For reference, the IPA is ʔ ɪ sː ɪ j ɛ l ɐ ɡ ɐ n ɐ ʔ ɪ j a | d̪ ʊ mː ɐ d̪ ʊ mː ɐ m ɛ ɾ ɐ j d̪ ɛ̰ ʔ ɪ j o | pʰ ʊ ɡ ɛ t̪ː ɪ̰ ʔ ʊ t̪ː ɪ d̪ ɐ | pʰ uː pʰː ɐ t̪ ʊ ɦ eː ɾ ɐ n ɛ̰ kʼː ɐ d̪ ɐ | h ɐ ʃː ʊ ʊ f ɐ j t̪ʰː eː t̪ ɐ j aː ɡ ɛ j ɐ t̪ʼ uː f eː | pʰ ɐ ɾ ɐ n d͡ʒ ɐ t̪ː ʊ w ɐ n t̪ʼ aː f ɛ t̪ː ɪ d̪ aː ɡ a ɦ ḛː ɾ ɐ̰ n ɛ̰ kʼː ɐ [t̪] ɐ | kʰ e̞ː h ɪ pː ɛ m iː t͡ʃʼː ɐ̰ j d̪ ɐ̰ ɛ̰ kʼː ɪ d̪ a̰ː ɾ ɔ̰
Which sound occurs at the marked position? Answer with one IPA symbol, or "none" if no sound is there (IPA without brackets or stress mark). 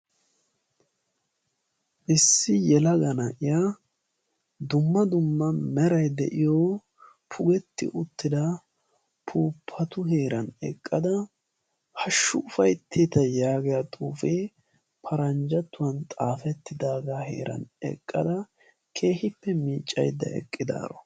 d̪